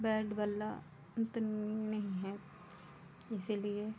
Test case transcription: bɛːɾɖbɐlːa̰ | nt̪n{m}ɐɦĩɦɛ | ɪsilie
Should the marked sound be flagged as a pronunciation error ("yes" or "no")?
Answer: yes